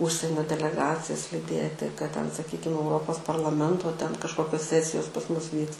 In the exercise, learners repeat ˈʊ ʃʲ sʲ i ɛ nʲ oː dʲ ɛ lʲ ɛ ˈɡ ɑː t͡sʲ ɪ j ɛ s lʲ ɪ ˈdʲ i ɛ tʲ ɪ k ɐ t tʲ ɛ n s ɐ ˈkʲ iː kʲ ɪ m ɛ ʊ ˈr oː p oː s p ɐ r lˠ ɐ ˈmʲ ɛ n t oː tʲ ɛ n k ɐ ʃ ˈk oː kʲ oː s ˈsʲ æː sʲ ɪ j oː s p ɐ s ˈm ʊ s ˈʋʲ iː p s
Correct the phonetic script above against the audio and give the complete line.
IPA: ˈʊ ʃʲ sʲ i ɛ nʲ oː dʲ ɛ lʲ ɛ ˈɡ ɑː t͡sʲ ɪ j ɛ s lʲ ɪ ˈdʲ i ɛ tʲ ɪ k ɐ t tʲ ɛ n s ɐ ˈkʲ iː kʲ ɪ m ɛ ʊ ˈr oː p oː s p ɐ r lˠ ɐ ˈmʲ ɛ n t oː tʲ ɛ n k ɐ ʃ ˈk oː kʲ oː s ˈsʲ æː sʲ ɪ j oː s p ɐ s ˈm ʊ s ˈʋʲ iː k s